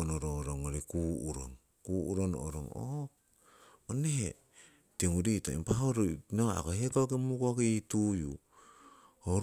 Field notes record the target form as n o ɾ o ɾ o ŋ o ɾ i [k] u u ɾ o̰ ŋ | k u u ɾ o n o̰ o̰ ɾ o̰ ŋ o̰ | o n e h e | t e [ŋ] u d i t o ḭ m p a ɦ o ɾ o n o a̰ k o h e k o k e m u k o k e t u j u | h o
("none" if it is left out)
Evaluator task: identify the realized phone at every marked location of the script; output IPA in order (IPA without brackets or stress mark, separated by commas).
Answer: k, ŋ